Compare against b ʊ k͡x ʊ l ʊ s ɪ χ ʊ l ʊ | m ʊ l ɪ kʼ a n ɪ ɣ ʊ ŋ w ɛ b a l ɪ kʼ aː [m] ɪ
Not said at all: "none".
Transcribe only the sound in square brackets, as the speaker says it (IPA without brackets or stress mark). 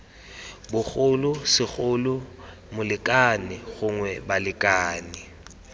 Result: n